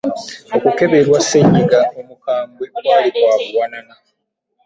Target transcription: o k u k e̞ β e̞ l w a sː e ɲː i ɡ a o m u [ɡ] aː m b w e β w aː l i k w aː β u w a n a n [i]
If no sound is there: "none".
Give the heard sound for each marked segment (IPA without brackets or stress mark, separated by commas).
k, a